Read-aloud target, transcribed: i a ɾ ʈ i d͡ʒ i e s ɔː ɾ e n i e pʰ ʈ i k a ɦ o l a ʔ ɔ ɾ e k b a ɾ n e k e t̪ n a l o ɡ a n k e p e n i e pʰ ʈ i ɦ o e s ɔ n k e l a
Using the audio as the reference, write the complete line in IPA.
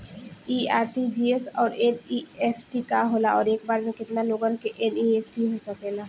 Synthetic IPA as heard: i a ɾ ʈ i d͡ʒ i e s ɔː ɾ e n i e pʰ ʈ i k a ɦ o l a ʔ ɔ ɾ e k b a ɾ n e k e t̪ n a l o ɡ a n k e ʔ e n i e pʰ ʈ i ɦ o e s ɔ k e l a